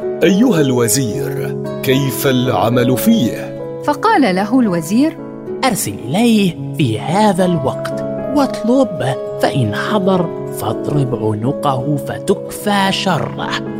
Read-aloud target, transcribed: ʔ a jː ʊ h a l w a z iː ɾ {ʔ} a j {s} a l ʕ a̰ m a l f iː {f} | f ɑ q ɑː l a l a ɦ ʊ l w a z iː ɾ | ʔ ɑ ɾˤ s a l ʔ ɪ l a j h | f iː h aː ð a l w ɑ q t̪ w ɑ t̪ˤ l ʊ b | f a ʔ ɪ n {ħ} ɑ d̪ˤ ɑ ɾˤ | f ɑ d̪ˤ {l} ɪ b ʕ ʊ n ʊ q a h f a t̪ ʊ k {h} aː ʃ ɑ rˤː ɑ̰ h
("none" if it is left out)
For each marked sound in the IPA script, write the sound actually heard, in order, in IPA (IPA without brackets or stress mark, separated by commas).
k, f, h, ħ, ɾ, f